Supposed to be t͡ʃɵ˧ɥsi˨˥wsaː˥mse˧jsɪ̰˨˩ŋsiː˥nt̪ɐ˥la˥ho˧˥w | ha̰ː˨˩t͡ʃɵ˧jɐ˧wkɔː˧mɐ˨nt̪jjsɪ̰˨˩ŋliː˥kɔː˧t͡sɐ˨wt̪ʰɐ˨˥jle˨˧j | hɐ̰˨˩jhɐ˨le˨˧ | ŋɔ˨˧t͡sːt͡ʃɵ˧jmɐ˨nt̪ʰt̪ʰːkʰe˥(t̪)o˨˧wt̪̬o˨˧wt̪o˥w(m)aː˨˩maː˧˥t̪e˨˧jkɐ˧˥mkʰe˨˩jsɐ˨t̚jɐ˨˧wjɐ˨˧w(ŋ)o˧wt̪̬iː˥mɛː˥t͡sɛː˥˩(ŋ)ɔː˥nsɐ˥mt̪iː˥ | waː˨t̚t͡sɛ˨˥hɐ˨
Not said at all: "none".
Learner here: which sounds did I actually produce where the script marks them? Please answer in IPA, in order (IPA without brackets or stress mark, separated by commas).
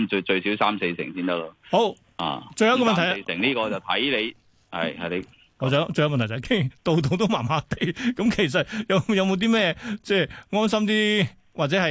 t̪, m, m, ŋ